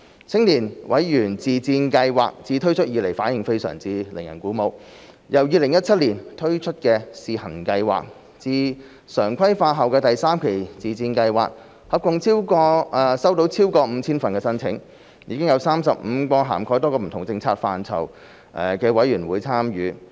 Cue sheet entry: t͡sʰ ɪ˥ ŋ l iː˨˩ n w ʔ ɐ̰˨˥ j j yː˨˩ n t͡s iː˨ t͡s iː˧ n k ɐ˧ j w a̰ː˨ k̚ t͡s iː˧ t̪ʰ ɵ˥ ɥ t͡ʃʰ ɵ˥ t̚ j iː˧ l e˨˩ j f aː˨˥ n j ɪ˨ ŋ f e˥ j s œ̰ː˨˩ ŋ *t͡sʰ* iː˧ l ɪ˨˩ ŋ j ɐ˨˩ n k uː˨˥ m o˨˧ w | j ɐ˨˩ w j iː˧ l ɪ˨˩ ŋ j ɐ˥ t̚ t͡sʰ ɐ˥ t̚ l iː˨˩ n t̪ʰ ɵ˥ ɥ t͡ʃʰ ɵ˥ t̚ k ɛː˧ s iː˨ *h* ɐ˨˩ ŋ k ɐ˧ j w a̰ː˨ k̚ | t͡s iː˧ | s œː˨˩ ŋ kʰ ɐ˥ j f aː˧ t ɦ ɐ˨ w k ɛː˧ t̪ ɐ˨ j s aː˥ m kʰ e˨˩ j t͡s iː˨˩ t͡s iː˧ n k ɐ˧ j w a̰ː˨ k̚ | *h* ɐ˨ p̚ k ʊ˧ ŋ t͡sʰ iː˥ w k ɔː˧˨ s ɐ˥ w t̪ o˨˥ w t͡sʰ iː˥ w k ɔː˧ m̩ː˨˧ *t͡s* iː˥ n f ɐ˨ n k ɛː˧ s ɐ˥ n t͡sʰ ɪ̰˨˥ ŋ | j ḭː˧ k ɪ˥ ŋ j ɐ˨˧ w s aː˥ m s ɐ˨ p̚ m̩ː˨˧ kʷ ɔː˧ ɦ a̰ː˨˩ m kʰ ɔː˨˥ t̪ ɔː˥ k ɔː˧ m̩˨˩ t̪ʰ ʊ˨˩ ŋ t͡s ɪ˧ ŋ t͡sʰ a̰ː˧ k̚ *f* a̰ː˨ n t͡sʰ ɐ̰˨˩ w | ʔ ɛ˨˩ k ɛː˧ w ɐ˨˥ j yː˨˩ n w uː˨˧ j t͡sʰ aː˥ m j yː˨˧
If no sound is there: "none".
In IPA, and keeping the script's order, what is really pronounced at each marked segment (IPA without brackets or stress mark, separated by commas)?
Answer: t͡s, h, h, t͡sʰ, f